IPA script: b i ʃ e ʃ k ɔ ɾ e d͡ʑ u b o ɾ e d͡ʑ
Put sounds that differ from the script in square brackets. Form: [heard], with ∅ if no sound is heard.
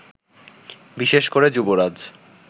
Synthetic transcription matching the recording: b i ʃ e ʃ k [o] ɾ e d͡ʑ u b o ɾ [a] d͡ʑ